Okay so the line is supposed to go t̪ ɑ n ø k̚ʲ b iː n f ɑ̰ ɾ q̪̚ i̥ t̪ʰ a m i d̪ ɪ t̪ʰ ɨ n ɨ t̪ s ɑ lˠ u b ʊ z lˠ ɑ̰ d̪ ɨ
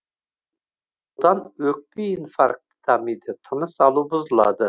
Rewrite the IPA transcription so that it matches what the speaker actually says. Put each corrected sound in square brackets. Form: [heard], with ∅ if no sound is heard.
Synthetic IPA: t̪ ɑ n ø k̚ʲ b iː n f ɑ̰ ɾ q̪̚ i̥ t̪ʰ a m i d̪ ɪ t̪ʰ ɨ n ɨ [∅] s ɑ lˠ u b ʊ z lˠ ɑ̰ d̪ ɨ